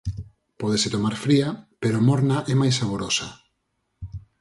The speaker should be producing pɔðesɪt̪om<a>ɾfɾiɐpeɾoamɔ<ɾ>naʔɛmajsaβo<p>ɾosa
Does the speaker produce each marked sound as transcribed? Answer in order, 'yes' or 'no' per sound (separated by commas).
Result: yes, yes, no